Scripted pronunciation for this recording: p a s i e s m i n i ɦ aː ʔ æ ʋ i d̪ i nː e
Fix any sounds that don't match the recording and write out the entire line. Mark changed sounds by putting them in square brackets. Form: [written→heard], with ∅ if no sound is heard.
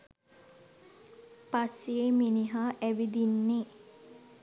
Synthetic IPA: p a s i e [s→∅] m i n i ɦ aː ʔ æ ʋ i d̪ i nː e